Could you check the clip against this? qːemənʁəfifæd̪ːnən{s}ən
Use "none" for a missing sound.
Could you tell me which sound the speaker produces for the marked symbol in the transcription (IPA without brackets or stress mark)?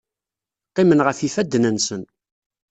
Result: s